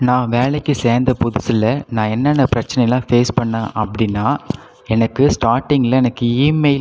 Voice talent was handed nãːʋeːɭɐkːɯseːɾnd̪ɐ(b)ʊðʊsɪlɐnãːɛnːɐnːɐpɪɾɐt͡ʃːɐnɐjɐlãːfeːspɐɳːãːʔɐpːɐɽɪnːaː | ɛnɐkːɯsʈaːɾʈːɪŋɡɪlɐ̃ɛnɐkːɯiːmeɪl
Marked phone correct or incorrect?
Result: incorrect